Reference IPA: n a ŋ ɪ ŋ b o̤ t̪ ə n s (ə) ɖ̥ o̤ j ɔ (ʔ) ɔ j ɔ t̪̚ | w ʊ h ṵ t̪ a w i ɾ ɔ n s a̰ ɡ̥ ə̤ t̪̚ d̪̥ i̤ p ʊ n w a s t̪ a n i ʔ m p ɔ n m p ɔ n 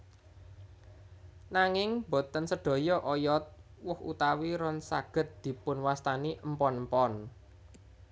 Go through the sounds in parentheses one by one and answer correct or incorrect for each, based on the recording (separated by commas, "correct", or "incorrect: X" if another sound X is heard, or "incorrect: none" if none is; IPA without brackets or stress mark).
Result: correct, correct